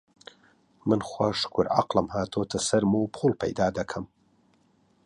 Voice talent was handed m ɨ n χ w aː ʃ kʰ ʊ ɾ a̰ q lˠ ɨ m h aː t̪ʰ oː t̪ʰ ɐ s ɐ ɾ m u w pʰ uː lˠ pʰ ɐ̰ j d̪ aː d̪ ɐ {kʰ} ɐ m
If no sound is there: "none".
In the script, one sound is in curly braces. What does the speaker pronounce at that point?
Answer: kʰ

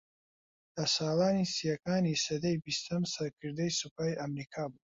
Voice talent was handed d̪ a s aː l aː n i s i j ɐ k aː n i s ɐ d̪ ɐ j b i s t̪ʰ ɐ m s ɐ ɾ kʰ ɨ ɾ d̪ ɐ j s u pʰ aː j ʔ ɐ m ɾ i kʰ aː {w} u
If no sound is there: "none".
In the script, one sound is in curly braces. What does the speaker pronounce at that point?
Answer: b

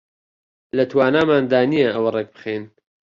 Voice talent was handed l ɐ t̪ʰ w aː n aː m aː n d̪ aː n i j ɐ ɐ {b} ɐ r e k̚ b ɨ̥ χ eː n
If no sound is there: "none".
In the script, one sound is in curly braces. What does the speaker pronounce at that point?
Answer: w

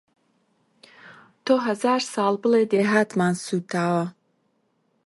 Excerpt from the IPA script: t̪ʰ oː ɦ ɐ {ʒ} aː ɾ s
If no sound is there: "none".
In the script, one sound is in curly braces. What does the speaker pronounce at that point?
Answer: z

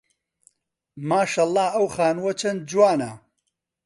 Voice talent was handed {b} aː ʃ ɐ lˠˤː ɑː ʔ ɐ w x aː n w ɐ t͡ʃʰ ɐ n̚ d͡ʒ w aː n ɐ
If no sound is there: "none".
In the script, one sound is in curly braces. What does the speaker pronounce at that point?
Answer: m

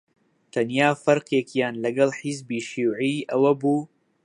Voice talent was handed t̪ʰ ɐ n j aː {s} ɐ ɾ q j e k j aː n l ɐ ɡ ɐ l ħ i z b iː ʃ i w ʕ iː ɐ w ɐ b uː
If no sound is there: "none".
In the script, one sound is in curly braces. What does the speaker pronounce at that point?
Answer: f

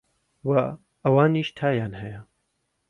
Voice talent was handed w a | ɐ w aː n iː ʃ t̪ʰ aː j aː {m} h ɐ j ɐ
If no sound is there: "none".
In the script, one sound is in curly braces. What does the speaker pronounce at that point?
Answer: n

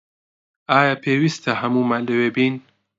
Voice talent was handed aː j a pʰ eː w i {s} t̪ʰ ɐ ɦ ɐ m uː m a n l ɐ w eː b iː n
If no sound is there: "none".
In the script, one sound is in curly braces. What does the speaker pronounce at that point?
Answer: s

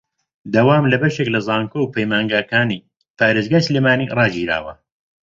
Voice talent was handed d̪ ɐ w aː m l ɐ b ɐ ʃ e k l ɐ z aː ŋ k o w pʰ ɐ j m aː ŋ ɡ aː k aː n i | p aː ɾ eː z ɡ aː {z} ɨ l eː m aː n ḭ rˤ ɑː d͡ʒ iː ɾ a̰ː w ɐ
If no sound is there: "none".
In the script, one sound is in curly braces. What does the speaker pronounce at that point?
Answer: s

